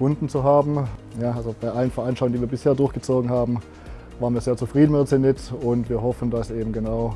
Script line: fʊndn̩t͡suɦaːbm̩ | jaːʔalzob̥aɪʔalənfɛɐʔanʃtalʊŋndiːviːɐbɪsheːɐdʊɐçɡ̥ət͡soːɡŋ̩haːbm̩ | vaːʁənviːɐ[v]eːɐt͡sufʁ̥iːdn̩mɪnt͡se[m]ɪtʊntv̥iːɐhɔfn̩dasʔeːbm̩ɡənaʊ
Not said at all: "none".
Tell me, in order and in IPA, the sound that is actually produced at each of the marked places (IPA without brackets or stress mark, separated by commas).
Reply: z, n